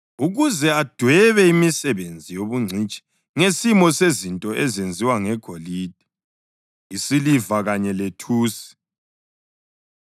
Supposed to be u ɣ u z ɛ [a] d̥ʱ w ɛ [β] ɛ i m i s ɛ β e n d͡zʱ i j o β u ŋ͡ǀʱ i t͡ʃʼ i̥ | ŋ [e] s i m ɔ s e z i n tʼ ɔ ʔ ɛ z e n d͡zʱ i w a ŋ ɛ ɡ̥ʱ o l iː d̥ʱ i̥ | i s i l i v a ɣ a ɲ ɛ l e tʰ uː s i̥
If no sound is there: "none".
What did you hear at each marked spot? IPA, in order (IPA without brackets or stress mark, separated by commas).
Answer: a, β, e